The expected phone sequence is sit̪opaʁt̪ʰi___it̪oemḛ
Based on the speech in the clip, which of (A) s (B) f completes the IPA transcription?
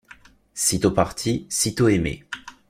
A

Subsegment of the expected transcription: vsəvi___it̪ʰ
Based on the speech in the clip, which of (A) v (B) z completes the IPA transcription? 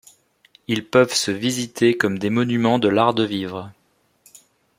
B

